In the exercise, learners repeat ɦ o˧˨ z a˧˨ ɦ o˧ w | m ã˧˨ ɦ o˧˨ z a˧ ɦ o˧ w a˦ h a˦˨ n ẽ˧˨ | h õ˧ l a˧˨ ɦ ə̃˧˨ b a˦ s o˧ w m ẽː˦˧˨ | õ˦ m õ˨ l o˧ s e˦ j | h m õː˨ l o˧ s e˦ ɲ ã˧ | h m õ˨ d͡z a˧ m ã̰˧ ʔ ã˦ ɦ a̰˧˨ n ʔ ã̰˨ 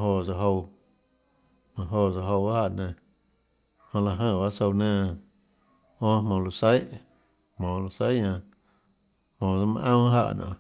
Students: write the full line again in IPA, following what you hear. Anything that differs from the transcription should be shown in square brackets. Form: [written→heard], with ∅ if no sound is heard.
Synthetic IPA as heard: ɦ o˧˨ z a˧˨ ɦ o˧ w | m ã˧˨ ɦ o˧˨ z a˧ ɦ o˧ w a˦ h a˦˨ n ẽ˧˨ | h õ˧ l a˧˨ ɦ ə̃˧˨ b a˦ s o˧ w [m→n] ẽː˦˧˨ | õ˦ m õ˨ l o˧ s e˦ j | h m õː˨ l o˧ s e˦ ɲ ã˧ | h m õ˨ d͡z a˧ m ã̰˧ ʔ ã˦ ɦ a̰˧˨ n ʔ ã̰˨

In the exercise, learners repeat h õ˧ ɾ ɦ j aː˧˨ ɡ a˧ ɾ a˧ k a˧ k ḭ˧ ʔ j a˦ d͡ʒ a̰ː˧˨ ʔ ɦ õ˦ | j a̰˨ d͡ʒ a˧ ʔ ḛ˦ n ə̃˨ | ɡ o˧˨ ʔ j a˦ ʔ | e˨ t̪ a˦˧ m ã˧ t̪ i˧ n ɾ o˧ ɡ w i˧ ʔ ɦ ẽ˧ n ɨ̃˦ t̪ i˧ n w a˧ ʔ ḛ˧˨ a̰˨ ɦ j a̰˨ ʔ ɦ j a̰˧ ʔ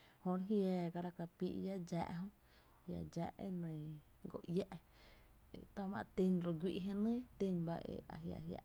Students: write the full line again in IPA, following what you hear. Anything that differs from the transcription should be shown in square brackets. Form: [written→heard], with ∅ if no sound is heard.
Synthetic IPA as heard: h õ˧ ɾ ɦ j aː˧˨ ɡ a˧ ɾ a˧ k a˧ [k→p] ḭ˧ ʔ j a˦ d͡ʒ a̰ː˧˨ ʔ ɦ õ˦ | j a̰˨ d͡ʒ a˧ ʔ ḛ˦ n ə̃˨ | ɡ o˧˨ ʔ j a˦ ʔ | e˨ t̪ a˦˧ m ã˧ t̪ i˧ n ɾ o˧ ɡ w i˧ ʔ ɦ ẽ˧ n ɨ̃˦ t̪ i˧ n [w→b] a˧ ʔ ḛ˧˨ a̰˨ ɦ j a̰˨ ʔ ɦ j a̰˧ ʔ

